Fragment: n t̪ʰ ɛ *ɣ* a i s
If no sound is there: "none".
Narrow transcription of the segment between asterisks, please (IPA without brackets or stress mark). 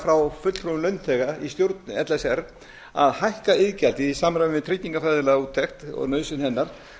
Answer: ɣ